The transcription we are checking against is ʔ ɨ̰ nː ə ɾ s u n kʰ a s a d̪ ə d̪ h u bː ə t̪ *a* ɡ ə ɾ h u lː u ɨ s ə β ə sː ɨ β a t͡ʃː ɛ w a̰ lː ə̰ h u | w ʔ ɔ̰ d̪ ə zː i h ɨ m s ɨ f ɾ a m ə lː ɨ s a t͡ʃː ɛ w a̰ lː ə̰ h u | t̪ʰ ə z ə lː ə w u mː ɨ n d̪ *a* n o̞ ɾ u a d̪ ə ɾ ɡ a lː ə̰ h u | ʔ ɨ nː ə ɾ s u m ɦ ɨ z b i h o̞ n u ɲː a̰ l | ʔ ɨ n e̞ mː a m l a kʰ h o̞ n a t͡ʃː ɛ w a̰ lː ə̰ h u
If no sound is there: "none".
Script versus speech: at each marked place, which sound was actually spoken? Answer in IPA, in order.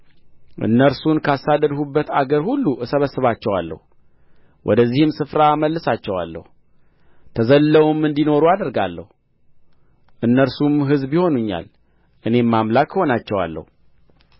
a, i

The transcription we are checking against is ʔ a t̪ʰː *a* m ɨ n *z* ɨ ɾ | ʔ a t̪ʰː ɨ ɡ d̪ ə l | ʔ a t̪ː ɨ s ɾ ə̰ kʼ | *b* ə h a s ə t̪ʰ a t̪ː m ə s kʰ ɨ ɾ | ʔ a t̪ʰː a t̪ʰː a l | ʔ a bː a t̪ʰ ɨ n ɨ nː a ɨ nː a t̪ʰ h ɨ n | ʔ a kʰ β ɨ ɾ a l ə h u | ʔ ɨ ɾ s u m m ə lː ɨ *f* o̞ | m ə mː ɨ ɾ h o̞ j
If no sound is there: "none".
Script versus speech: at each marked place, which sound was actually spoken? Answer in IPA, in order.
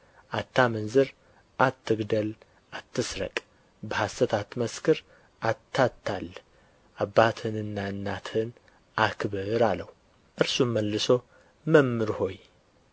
a, z, b, s

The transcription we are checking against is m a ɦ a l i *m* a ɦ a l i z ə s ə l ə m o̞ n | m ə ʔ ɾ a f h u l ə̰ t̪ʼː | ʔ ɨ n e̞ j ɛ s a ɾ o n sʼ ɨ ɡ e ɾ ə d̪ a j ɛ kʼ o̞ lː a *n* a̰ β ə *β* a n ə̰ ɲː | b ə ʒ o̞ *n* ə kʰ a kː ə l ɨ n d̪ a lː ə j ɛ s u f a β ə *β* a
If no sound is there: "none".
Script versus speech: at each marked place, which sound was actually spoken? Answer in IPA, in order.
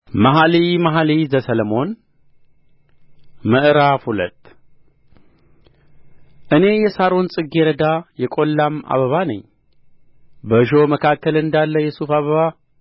m, m, β, m, β

